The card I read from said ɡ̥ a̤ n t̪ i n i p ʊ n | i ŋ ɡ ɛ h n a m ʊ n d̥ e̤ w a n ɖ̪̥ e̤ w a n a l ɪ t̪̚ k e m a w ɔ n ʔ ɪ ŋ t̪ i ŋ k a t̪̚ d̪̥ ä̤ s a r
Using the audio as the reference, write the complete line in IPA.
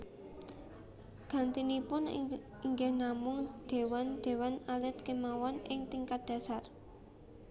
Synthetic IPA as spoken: ɡ̥ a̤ n t̪ i n i p ʊ n | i ŋ ɡ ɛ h n a m ʊ ŋ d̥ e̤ w a n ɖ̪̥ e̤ w a n a l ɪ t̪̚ k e m a w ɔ n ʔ ɪ ŋ t̪ i ŋ k a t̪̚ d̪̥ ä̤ s a r